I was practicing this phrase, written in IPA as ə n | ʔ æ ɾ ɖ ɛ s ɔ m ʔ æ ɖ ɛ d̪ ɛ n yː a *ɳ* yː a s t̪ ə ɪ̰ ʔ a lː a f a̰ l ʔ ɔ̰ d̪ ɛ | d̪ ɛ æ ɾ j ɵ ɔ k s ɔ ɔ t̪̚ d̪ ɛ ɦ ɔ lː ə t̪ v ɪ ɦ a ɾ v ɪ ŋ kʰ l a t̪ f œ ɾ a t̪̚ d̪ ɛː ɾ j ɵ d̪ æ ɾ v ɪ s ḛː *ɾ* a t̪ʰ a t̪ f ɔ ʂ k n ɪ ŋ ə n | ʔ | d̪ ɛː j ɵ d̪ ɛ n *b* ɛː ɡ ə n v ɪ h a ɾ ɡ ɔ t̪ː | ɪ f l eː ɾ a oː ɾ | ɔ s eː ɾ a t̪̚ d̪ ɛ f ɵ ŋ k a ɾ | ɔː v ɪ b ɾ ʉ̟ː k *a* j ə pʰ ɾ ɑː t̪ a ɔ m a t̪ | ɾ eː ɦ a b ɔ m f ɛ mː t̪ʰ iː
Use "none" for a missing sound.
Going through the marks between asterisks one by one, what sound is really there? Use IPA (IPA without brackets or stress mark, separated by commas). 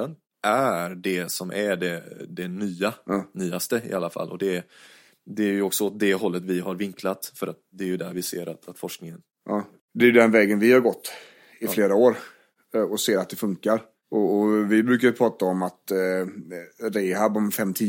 n, ɾ, v, a